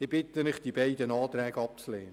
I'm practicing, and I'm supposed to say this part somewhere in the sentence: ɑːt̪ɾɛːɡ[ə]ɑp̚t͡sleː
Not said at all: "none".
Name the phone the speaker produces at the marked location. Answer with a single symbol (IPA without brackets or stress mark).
ə